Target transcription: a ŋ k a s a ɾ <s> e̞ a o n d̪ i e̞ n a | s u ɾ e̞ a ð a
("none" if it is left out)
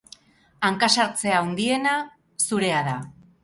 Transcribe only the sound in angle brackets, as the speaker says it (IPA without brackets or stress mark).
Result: t͡s